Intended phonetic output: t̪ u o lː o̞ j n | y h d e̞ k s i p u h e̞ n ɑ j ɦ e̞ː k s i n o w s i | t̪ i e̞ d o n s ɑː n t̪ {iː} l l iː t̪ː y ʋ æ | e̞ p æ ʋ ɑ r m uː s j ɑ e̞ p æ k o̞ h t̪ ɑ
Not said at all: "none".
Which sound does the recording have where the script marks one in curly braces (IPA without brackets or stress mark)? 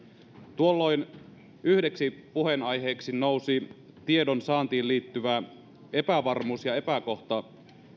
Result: iː